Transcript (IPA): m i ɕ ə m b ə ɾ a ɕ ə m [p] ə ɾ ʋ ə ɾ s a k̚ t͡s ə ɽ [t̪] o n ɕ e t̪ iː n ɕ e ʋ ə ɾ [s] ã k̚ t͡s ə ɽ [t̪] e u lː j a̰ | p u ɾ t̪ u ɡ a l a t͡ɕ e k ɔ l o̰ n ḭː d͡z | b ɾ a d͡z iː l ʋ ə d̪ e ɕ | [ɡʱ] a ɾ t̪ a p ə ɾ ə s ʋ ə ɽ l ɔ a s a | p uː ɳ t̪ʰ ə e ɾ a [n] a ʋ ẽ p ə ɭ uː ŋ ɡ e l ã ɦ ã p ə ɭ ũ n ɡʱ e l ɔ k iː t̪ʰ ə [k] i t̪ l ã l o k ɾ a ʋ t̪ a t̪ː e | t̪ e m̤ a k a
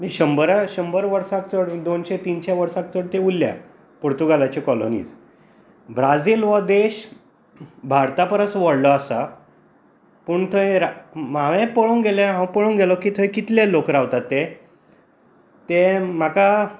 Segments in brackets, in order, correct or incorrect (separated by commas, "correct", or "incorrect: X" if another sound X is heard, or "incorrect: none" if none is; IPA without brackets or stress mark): incorrect: b, incorrect: d̪, correct, correct, incorrect: bʱ, incorrect: m, correct